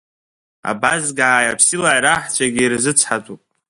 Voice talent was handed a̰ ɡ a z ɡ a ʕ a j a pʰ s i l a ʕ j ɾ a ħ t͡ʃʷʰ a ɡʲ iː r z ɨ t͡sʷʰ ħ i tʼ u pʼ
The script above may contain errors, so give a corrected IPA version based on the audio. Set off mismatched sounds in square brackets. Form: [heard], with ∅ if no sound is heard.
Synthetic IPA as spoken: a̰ [b] a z ɡ a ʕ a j a pʰ s i l a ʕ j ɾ a ħ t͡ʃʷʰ a ɡʲ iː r z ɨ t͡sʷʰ ħ [a] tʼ u pʼ